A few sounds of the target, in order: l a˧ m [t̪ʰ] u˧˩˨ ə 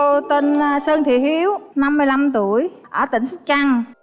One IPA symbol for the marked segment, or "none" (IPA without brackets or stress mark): t̪